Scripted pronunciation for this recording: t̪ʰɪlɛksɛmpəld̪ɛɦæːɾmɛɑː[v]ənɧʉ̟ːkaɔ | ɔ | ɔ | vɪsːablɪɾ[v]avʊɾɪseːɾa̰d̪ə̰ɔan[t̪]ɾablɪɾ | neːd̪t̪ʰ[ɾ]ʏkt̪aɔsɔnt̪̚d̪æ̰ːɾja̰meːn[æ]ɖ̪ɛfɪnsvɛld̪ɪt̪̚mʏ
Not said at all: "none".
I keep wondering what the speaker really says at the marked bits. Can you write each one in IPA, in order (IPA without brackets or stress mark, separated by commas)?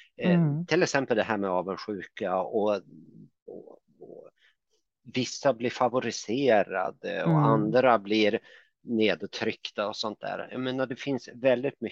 v, f, d̪, ɾ, a